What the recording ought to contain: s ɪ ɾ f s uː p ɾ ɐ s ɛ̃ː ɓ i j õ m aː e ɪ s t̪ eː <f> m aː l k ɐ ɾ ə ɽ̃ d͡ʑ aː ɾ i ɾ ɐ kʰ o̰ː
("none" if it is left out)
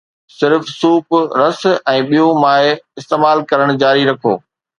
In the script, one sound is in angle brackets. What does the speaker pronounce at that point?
none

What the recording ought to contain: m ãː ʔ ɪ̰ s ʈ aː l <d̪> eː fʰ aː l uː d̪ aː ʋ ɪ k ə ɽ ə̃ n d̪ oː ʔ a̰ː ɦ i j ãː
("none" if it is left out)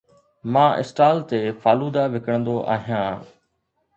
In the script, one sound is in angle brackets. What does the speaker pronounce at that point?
t̪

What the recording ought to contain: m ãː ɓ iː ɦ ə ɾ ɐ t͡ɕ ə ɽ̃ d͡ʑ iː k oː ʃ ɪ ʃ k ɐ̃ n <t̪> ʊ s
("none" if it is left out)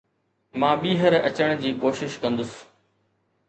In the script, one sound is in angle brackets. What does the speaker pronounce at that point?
d̪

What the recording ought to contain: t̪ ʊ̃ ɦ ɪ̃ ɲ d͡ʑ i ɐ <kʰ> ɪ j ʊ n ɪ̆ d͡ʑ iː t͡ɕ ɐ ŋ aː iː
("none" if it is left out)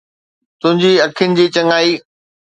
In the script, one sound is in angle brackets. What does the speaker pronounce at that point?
kʰ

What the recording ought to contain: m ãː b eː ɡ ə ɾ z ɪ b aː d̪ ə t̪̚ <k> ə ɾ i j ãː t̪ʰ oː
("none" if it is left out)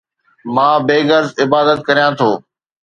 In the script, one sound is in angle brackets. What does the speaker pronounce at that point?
k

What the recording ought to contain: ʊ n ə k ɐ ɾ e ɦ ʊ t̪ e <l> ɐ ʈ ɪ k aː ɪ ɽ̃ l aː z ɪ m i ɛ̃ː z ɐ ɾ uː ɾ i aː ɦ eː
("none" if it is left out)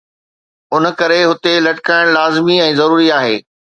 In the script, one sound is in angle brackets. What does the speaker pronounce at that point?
l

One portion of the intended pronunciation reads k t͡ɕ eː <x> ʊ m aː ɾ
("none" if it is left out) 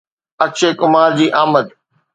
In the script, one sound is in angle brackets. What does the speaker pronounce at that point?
k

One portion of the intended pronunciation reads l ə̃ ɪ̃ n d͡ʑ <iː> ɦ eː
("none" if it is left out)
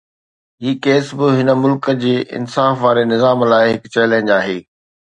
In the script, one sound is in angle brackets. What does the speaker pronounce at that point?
aː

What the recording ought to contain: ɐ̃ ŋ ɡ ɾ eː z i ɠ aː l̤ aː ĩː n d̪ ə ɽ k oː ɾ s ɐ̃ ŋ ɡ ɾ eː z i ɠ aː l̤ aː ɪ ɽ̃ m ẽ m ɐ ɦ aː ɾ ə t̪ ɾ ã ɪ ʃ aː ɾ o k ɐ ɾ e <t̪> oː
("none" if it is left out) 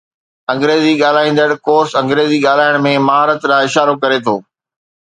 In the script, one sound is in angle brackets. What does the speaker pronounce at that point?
t̪ʰ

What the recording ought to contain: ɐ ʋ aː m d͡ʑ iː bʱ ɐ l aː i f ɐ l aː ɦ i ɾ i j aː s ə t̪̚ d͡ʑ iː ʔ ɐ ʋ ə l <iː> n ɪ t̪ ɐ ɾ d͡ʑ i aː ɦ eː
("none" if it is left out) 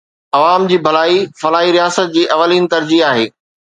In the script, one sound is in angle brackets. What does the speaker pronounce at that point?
iː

